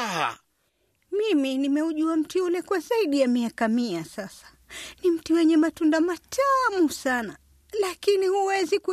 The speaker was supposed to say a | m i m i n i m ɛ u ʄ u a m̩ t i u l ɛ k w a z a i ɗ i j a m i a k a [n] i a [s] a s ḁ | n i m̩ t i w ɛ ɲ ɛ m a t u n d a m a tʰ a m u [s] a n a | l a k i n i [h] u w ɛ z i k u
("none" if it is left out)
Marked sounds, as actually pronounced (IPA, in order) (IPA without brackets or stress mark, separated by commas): m, s, s, h